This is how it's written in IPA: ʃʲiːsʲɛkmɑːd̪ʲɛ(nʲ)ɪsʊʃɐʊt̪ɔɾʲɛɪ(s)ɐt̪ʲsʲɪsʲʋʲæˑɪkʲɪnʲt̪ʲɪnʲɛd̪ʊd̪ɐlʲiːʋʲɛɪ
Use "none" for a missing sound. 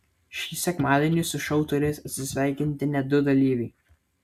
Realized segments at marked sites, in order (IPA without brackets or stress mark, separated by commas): nʲ, s